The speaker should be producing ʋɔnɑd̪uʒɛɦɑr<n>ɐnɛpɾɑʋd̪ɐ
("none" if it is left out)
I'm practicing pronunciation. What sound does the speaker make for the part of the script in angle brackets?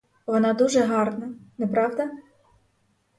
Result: n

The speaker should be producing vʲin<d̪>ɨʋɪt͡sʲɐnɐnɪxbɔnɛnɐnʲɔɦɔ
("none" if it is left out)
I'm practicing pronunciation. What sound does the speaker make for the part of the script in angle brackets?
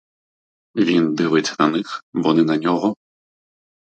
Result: d̪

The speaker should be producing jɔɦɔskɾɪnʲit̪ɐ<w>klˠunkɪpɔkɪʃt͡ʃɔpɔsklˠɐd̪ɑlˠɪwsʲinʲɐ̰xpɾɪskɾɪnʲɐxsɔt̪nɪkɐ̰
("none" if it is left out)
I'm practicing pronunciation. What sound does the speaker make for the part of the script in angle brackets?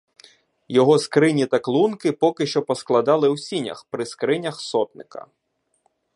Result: none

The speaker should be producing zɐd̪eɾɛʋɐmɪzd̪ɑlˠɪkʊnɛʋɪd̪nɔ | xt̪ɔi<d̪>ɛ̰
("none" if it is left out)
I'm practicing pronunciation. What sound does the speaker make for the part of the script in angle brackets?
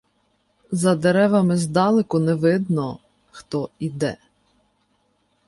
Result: d̪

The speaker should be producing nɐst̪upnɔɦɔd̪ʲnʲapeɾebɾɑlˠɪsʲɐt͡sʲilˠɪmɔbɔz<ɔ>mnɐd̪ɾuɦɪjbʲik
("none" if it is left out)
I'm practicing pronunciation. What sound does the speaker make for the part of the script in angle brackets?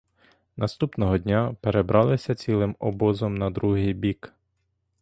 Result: ɔ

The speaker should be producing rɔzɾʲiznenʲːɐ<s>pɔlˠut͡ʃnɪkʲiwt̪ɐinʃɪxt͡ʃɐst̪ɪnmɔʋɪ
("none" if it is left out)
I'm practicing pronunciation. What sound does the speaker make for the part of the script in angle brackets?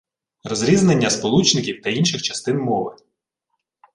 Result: s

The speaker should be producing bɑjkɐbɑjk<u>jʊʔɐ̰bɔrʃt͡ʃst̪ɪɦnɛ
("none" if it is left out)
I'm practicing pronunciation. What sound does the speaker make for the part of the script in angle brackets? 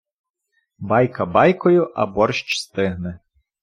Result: ɔ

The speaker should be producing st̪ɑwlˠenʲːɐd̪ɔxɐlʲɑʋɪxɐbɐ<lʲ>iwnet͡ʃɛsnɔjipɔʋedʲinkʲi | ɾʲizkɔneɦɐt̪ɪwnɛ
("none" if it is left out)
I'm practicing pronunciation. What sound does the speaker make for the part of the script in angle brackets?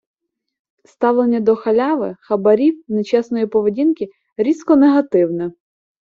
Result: ɾʲ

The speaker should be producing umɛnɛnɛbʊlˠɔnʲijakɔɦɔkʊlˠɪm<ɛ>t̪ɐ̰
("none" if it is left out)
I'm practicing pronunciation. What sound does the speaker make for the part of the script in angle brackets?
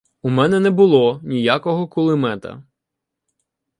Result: ɛ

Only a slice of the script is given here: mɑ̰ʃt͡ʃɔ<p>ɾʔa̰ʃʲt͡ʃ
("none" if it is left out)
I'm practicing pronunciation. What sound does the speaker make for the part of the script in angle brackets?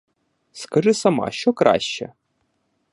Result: k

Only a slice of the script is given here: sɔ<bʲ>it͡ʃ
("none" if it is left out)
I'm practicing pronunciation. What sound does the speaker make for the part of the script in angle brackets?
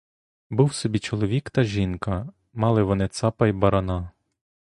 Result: bʲ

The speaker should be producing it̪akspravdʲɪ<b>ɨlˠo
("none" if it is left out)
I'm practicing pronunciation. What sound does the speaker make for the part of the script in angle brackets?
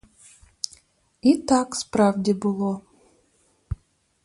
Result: b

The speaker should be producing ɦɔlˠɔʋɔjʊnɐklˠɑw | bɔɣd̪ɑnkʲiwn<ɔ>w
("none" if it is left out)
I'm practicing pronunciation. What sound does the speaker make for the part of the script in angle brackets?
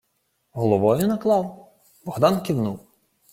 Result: u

